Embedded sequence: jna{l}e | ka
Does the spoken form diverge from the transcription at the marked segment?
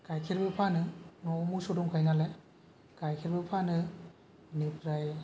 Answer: no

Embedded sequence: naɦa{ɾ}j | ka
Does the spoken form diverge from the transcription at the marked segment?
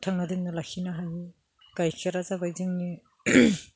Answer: yes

